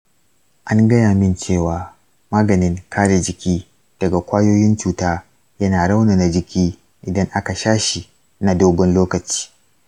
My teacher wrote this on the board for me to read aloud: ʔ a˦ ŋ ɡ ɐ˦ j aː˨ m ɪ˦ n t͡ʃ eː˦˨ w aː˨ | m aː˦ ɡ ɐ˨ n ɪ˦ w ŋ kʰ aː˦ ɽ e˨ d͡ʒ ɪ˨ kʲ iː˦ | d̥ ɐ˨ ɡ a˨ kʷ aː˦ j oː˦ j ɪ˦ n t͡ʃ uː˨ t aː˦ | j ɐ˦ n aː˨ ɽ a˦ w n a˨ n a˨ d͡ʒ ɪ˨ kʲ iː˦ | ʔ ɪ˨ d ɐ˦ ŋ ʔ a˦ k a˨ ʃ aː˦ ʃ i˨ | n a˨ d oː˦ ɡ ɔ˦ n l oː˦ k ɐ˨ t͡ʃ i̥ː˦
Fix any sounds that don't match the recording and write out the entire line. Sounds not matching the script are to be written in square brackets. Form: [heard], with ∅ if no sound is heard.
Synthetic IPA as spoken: ʔ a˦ ŋ ɡ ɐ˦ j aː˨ m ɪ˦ n t͡ʃ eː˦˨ w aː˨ | m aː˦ ɡ ɐ˨ n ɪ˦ [∅] ŋ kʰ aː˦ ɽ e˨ d͡ʒ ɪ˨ kʲ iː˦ | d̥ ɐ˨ ɡ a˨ kʷ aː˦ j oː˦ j ɪ˦ n t͡ʃ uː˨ t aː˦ | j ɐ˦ n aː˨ ɽ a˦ w n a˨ n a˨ d͡ʒ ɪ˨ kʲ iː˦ | ʔ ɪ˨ d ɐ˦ ŋ ʔ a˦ k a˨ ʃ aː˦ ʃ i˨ | n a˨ d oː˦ ɡ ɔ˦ n l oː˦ k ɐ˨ t͡ʃ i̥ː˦